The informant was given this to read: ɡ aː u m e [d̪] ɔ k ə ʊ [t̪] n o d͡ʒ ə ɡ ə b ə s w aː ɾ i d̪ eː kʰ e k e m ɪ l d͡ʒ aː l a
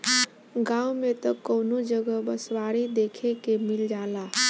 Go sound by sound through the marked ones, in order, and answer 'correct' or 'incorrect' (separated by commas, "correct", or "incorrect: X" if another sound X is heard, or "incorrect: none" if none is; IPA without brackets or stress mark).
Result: incorrect: t̪, incorrect: none